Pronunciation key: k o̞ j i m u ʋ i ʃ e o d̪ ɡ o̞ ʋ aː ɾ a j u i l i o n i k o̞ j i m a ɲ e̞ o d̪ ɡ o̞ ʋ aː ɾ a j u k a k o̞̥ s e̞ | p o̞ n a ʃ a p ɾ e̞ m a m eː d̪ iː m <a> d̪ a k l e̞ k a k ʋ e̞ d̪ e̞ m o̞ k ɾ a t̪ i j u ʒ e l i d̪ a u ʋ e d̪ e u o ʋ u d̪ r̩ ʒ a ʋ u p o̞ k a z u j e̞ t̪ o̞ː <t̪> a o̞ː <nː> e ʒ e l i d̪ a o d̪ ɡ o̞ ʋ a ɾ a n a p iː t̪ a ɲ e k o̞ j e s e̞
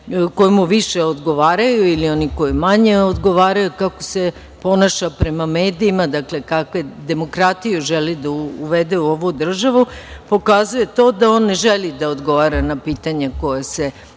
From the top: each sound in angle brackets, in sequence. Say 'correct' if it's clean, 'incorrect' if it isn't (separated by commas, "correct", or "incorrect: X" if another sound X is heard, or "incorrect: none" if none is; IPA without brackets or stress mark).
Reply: correct, incorrect: d̪, correct